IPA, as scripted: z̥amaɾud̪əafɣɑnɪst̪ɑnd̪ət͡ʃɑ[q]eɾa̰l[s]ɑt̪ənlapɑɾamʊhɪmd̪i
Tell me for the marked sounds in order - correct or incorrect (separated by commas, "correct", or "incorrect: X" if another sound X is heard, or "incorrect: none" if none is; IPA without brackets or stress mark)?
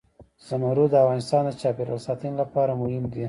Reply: incorrect: p, correct